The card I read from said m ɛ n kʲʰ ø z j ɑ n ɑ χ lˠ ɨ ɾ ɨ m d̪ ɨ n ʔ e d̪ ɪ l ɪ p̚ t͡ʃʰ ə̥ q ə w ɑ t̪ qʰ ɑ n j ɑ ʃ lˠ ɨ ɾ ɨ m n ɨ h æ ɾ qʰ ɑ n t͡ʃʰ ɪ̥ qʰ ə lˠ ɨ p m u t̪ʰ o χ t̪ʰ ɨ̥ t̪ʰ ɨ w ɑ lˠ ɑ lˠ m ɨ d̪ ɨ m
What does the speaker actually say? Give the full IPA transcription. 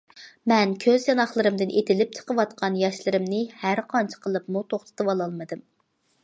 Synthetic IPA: m ɛ n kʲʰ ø z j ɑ n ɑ χ lˠ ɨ ɾ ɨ m d̪ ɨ n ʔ e t̪ ɪ l ɪ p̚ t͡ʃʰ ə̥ q ə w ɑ t̪ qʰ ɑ n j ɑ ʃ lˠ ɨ ɾ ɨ m n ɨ h æ ɾ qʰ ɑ n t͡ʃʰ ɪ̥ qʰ ə lˠ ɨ p m u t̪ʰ o χ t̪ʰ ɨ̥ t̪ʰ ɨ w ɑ lˠ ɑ lˠ m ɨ d̪ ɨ m